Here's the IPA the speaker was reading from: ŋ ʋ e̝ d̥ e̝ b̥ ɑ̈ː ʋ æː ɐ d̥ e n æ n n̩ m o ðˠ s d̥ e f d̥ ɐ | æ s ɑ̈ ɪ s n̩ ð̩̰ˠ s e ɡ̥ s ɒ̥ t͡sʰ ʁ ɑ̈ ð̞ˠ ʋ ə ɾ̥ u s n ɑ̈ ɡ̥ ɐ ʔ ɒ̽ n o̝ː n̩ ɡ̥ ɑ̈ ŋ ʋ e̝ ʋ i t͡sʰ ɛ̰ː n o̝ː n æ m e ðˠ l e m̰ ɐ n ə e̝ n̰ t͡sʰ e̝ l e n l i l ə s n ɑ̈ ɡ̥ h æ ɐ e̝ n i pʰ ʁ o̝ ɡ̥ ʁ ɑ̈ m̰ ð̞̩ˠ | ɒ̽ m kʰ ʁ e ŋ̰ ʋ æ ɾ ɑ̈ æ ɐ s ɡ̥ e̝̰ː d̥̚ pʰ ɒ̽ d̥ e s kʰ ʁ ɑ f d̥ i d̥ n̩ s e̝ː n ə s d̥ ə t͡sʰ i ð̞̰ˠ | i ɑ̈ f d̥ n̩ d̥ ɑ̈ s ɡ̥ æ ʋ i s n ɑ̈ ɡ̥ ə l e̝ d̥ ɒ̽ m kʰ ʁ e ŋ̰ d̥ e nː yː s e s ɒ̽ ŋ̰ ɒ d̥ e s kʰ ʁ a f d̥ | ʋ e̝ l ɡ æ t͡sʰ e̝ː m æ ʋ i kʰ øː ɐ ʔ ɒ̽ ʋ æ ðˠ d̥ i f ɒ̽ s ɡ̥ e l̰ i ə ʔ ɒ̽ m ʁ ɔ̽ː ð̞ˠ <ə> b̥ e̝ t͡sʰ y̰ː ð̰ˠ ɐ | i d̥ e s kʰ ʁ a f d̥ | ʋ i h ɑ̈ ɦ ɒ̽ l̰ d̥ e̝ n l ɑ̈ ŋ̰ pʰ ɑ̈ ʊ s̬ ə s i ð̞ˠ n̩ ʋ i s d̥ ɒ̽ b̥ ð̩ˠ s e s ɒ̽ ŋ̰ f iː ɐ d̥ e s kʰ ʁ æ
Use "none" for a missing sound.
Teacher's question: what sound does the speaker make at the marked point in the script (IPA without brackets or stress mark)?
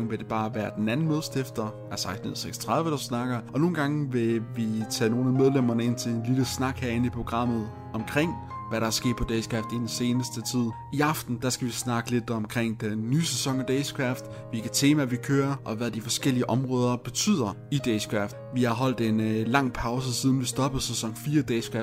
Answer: ɐ